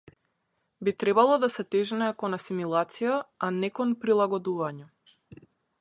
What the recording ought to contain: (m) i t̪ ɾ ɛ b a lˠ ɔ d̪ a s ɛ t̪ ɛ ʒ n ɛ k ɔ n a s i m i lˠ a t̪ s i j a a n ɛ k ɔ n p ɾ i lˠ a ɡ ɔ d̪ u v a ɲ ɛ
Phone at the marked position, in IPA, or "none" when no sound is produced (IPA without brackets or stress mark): b